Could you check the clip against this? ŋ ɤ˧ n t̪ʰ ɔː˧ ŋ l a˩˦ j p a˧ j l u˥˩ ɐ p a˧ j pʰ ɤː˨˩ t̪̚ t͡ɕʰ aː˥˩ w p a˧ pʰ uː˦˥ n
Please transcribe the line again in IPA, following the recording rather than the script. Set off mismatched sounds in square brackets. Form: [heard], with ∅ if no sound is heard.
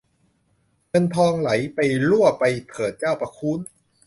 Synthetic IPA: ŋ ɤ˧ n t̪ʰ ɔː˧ ŋ l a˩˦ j p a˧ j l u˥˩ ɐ p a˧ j pʰ ɤː˨˩ t̪̚ [t͡ɕ] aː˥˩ w p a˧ [kʰ] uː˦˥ n

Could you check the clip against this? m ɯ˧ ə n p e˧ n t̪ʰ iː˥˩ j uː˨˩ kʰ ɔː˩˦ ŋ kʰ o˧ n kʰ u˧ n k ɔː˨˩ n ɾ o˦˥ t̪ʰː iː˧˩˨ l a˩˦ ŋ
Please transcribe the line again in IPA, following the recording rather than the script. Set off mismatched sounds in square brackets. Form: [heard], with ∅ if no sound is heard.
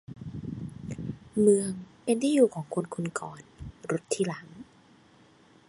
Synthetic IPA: m ɯ˧ ə [ŋ] p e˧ n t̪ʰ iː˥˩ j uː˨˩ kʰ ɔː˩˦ ŋ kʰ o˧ n kʰ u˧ n k ɔː˨˩ n ɾ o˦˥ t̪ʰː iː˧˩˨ l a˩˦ ŋ

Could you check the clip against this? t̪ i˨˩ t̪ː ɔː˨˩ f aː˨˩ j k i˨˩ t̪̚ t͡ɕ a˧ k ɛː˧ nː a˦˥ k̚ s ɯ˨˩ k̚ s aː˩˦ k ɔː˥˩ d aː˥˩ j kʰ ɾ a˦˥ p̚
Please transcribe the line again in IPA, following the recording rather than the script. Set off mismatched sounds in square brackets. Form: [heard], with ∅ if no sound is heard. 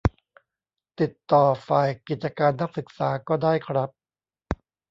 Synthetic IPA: t̪ i˨˩ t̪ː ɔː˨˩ f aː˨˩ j k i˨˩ t̪̚ t͡ɕ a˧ k [aː˧] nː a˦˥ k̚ s ɯ˨˩ k̚ s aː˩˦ k ɔː˥˩ d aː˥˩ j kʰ ɾ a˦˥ p̚

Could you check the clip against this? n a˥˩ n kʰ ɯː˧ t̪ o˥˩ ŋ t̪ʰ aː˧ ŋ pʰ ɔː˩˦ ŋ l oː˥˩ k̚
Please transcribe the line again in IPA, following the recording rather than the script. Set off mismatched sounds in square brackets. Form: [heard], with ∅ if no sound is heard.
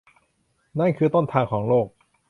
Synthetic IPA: n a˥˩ n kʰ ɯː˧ t̪ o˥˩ [n] t̪ʰ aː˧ ŋ [kʰ] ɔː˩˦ ŋ l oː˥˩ k̚

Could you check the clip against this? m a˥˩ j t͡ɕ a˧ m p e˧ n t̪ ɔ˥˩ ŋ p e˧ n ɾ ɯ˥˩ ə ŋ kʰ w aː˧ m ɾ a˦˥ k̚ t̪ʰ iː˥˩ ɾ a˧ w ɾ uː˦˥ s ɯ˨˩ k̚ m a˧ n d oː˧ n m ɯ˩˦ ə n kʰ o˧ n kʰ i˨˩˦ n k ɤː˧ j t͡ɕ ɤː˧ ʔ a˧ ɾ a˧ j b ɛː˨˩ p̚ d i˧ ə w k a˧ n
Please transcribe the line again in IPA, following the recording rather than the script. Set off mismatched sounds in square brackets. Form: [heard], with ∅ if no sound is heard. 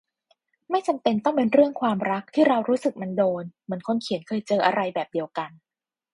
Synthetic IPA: m a˥˩ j t͡ɕ a˧ m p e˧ n t̪ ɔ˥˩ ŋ p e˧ n ɾ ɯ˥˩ ə ŋ kʰ w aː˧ m ɾ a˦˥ k̚ t̪ʰ iː˥˩ ɾ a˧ w ɾ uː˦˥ s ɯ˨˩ k̚ m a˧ n d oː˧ n m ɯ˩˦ ə n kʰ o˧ n kʰ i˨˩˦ n [kʰ] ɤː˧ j t͡ɕ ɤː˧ ʔ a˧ ɾ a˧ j b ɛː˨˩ p̚ d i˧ ə w k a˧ n

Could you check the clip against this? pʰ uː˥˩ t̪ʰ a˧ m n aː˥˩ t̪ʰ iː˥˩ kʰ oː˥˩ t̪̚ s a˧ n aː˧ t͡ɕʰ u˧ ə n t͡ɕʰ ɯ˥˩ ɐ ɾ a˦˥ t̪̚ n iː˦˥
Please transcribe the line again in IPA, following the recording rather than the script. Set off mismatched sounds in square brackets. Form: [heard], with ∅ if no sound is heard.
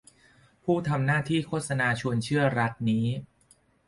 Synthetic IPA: pʰ uː˥˩ t̪ʰ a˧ m n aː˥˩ t̪ʰ iː˥˩ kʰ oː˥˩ t̪̚ s a˧ n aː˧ t͡ɕʰ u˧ ə n t͡ɕʰ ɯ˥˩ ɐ ɾ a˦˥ t̪̚ n iː˦˥

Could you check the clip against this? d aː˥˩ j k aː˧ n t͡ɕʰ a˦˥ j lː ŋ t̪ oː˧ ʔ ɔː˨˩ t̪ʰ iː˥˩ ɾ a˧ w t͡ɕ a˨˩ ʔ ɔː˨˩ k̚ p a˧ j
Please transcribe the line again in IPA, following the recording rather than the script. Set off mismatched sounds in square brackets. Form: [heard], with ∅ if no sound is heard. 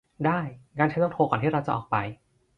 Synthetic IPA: d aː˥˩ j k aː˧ n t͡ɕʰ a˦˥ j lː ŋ [t̪ʰ] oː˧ [k] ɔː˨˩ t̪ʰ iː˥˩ ɾ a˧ w t͡ɕ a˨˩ ʔ ɔː˨˩ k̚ p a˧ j

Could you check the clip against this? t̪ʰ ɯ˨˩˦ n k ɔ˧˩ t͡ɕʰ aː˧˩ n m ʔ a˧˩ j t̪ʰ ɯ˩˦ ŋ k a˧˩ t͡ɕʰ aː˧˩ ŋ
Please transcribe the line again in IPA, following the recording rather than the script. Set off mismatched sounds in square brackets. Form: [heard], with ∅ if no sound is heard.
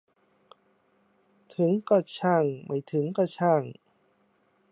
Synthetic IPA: t̪ʰ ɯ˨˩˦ [ŋ] k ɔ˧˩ t͡ɕʰ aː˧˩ [ŋ] m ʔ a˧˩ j t̪ʰ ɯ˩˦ ŋ k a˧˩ t͡ɕʰ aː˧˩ ŋ

